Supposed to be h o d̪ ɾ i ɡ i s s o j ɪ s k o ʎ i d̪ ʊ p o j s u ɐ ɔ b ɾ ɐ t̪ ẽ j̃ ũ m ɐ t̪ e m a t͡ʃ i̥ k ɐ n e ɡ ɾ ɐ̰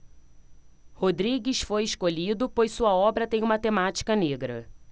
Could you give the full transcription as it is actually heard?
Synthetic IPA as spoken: h o d̪ ɾ i ɡ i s f o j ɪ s k o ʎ i d̪ ʊ p o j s u ɐ ɔ b ɾ ɐ t̪ ẽ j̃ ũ m ɐ t̪ e m a t͡ʃ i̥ k ɐ n e ɡ ɾ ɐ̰